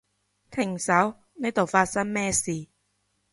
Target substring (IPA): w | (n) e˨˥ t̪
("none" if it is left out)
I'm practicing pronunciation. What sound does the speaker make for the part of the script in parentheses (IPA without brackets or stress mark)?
n